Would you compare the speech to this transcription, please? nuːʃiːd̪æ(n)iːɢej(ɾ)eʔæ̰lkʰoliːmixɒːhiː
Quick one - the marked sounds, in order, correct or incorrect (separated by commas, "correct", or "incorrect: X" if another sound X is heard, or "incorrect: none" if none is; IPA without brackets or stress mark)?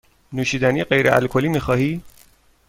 correct, correct